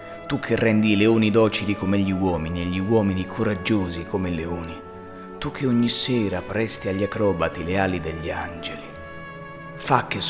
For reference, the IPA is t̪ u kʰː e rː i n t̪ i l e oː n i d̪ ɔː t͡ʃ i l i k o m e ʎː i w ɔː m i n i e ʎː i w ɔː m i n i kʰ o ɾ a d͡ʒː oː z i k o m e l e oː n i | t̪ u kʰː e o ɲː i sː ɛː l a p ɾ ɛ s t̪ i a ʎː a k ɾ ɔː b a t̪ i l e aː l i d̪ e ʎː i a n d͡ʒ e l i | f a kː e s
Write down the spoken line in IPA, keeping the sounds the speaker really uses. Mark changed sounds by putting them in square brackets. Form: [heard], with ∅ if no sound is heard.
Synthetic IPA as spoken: t̪ u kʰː e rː [ɛ] n [d̪] i l e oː n i d̪ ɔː t͡ʃ i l i k o m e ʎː i w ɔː m i n i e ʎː i w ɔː m i n i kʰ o ɾ a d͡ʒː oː z i k o m e l e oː n i | t̪ u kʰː e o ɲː i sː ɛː [ɾ] a p ɾ ɛ s t̪ i a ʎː a k ɾ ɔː b a t̪ i l e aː l i d̪ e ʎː i a n d͡ʒ e l i | f a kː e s